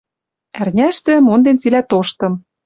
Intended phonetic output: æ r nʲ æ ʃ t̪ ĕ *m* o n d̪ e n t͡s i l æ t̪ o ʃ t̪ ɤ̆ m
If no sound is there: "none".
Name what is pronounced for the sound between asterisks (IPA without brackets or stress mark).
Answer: m